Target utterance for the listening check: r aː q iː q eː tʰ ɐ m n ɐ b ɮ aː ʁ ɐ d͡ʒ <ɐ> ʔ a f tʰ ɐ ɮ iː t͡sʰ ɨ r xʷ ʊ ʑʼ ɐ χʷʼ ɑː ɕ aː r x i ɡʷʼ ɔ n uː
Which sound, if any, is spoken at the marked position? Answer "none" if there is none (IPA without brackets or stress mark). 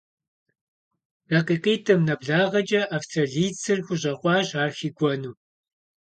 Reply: ɐ